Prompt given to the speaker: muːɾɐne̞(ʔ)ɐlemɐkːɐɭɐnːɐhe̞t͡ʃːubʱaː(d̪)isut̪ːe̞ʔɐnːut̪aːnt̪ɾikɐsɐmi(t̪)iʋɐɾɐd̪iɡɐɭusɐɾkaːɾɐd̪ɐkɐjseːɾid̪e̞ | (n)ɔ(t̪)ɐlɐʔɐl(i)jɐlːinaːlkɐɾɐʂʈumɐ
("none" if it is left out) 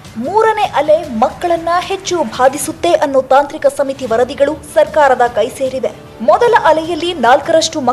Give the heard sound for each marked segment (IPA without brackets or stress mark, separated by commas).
ʔ, d̪, t̪, m, d̪, ɛ